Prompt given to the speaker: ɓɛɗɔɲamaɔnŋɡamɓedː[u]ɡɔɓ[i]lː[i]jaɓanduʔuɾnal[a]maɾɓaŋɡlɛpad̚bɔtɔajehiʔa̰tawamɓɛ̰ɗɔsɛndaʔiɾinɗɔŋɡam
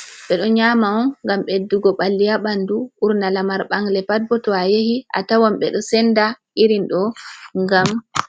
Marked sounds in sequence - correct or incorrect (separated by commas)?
correct, incorrect, correct, correct